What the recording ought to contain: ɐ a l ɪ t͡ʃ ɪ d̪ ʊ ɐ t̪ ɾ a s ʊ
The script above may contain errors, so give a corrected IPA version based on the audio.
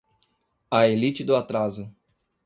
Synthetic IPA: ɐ e l i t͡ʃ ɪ d̪ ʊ a t̪ ɾ a z ʊ